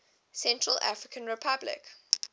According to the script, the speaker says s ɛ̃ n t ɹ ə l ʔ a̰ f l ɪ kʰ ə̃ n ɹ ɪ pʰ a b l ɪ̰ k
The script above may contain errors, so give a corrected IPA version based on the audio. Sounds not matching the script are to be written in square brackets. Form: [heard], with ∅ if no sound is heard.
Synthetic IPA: s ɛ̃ n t ɹ ə l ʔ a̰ f [ɹ] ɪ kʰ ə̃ n ɹ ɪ pʰ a b l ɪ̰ k